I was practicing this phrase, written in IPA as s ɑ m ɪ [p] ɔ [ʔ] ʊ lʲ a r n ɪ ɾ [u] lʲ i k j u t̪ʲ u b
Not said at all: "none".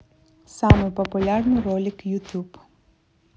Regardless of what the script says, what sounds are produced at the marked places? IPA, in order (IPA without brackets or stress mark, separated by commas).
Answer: p, p, ɔ